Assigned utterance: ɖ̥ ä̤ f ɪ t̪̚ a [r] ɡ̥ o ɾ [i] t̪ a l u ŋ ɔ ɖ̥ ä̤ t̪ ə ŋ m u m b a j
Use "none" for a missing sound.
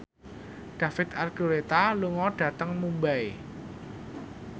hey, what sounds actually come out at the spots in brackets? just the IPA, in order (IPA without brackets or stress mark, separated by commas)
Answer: r, e